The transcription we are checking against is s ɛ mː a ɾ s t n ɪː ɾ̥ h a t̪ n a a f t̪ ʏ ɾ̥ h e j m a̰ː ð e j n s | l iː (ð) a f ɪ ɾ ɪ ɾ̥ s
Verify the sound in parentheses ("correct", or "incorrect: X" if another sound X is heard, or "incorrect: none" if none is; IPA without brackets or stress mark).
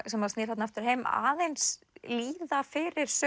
correct